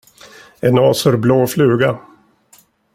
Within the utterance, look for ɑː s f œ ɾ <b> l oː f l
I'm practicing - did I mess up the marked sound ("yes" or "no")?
no